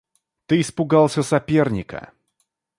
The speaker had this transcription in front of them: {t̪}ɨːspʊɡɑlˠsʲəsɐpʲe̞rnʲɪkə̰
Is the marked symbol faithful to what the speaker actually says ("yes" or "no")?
yes